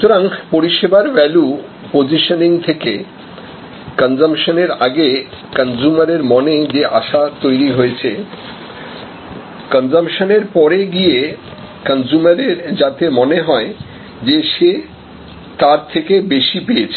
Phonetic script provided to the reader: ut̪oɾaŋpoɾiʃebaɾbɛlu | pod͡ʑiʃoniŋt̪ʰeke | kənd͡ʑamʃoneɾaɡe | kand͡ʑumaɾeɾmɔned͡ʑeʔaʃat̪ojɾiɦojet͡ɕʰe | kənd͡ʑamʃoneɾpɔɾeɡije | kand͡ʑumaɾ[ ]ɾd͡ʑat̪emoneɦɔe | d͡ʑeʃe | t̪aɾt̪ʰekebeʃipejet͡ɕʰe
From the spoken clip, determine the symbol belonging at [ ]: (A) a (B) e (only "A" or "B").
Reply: B